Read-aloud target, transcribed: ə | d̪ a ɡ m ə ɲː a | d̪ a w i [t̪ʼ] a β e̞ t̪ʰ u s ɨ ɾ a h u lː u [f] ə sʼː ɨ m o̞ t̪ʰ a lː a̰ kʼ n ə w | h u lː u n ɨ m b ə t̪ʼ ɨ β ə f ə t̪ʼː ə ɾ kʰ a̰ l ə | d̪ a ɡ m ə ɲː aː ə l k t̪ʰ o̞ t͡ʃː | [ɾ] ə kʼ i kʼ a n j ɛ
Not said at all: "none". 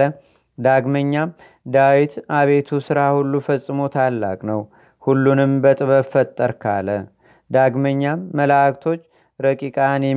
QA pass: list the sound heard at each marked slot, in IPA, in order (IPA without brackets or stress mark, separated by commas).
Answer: t̪, f, ɾ